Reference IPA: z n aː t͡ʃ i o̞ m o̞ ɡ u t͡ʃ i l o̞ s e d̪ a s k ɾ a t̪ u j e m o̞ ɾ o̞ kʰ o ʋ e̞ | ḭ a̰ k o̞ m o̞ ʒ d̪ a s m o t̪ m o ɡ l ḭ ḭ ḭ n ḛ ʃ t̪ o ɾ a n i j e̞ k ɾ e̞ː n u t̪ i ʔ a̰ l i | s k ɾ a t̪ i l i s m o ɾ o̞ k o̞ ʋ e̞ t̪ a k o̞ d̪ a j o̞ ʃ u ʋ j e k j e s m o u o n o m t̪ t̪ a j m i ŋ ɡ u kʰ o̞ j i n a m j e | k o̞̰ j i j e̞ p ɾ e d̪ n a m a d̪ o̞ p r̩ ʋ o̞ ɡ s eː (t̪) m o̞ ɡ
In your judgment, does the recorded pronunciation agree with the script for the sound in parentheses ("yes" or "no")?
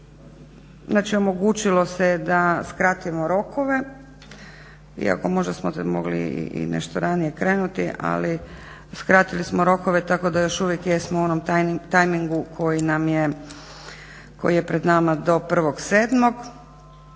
no